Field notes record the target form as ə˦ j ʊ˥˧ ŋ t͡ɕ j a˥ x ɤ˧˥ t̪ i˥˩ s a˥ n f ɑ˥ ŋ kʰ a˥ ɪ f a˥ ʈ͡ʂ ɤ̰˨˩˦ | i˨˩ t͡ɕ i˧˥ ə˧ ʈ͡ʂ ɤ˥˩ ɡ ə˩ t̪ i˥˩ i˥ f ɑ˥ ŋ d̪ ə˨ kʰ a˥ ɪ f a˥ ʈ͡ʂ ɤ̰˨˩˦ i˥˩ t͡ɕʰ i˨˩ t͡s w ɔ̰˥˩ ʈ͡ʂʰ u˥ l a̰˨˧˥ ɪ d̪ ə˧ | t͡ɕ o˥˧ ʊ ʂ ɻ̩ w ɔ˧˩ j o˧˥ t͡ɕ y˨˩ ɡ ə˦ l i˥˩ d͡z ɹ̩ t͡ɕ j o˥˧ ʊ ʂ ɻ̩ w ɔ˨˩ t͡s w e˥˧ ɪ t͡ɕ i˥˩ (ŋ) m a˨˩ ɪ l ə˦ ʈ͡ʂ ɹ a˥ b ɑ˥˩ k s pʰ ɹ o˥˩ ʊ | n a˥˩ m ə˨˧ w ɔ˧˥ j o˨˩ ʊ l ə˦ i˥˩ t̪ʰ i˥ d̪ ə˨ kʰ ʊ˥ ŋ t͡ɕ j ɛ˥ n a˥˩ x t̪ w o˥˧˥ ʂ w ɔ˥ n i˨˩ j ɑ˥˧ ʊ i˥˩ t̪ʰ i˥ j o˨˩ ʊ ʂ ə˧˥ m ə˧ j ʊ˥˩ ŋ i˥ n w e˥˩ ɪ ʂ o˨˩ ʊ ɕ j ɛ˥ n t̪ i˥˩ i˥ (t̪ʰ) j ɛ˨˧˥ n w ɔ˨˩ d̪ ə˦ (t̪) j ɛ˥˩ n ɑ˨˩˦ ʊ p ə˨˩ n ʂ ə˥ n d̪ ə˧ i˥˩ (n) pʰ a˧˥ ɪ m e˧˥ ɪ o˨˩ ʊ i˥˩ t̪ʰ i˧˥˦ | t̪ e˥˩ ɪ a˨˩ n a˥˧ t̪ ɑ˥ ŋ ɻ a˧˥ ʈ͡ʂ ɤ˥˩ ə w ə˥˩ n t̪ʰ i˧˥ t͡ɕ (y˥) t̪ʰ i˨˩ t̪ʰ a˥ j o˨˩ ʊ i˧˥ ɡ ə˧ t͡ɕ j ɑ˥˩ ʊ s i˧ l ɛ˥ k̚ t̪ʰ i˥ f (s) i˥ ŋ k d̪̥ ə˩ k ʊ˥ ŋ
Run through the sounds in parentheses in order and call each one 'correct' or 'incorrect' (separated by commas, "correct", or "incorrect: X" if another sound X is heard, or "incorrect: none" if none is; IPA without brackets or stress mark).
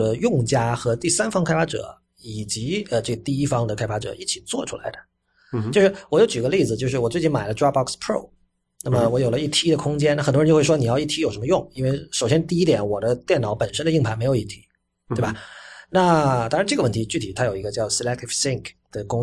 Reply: incorrect: n, incorrect: t̪, correct, incorrect: ŋ, incorrect: y˥˩, correct